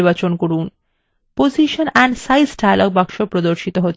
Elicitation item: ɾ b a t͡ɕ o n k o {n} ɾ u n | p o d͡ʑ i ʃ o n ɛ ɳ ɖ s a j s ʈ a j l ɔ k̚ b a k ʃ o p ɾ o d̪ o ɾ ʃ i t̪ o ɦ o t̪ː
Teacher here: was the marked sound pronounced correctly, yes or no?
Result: no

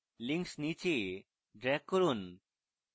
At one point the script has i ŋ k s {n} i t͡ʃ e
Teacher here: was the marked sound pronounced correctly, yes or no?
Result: yes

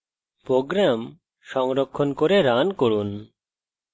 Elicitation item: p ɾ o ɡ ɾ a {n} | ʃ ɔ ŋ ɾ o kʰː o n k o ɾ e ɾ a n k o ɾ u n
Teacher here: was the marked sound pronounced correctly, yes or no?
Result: no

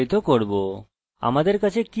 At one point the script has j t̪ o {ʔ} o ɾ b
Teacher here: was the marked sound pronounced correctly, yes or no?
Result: no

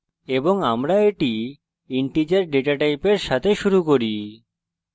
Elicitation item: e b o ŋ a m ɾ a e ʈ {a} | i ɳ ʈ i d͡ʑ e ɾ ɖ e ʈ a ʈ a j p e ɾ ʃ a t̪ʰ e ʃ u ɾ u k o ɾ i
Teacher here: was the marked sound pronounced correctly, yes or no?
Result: no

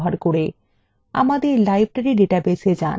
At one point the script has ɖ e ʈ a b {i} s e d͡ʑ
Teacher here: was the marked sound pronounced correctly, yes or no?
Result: no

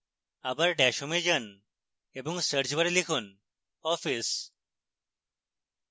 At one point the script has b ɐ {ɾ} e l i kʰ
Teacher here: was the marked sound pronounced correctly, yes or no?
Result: yes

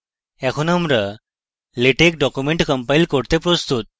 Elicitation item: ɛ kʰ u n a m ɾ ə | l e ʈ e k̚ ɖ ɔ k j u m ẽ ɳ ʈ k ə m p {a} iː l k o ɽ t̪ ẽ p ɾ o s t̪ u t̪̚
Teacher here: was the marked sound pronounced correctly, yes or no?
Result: yes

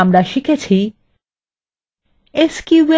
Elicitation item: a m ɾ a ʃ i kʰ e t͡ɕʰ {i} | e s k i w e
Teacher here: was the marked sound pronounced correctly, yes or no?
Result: yes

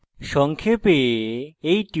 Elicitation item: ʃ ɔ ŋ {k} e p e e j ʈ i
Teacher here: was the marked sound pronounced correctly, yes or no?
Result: no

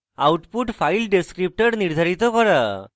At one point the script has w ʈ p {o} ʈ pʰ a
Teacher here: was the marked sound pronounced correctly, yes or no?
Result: no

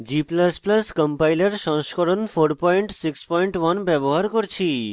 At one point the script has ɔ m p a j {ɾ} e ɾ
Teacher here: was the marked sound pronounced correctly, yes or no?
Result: no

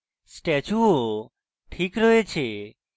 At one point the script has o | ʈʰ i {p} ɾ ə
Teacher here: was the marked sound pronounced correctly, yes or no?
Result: no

